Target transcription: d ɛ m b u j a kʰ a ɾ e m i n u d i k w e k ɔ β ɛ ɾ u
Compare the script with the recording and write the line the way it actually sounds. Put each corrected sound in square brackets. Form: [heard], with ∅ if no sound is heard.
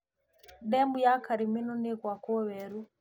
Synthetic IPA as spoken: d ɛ m b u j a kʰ a ɾ [i] m i n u [n] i k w [a] k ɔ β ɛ ɾ u